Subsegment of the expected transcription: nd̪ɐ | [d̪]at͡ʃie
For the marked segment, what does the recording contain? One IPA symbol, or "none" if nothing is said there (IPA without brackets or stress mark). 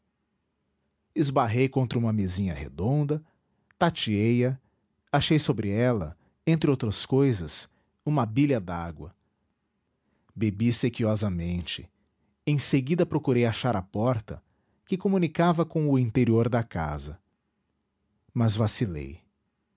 t̪